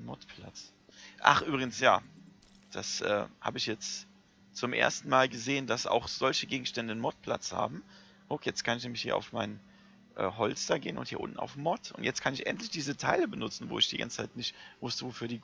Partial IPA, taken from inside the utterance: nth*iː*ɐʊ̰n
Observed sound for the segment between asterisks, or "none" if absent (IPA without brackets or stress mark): iː